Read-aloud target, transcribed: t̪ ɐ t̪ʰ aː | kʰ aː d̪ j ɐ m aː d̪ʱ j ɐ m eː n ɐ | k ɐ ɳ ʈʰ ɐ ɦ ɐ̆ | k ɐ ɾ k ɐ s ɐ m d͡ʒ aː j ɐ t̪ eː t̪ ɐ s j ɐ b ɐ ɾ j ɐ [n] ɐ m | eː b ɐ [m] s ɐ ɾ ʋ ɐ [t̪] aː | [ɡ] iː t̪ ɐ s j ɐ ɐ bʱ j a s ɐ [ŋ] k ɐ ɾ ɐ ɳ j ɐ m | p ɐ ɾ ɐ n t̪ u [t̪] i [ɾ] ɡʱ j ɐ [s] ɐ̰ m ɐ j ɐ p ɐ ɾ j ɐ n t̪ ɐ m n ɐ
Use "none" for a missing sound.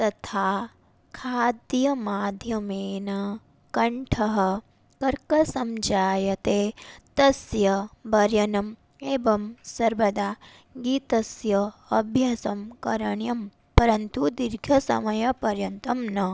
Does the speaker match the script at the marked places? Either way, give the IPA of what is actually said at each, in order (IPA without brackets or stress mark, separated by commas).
n, m, d̪, ɡ, m, d̪, ɾ, s